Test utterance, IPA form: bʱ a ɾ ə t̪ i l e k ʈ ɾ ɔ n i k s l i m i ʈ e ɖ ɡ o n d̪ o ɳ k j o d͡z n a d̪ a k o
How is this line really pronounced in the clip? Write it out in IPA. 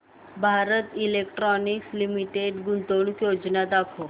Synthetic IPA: bʱ a ɾ ə t̪ i l e k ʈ ɾ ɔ n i k s l i m i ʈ e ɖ ɡ u n t̪ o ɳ k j o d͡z n a d̪ a kʰ o